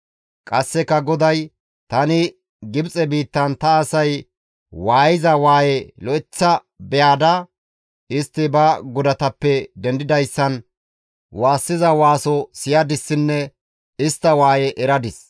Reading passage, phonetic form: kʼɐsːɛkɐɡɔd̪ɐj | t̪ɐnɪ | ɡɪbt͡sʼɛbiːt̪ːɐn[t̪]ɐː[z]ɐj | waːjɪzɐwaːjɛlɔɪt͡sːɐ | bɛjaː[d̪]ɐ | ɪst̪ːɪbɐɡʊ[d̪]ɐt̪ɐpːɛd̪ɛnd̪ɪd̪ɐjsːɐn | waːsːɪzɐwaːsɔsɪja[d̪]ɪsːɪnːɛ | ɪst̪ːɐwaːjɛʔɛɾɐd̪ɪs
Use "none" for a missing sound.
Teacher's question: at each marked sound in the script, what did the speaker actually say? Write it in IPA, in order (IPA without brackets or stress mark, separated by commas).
t̪, s, d̪, d̪, d̪